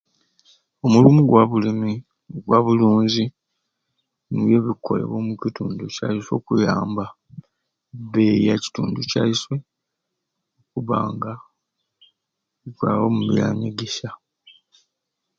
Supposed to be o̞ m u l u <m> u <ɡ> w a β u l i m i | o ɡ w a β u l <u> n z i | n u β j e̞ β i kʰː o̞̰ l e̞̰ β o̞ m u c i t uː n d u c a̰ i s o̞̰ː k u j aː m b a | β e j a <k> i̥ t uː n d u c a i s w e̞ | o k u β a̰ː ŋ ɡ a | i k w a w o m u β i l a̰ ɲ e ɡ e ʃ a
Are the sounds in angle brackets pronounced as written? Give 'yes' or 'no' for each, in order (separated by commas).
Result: yes, yes, no, no